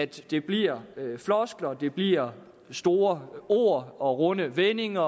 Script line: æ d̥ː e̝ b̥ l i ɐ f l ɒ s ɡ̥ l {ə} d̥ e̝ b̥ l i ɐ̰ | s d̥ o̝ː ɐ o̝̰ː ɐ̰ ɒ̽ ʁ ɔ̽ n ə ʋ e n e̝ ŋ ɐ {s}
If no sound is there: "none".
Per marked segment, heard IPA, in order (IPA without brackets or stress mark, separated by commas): ɐ, none